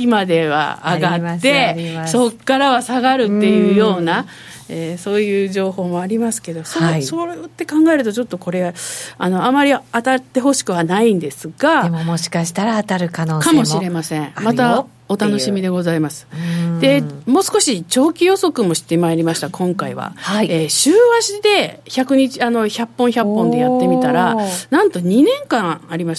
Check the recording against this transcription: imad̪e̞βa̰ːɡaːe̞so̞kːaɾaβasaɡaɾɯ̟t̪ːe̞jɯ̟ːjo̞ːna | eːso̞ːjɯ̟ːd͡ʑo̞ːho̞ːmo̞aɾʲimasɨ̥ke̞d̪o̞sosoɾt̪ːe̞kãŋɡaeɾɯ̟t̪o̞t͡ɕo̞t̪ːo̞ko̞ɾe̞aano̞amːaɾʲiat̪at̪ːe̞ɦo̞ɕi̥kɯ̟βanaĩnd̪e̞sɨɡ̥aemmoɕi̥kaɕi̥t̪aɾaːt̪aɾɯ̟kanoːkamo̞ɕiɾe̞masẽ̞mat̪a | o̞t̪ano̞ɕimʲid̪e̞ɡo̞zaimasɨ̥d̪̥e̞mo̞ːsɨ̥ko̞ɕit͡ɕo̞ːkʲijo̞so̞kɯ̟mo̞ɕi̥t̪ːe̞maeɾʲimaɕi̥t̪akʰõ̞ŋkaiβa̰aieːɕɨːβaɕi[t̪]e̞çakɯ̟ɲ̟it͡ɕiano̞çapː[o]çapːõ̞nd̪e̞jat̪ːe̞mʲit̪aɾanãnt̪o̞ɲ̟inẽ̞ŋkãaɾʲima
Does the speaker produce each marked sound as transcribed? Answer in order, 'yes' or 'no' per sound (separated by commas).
no, no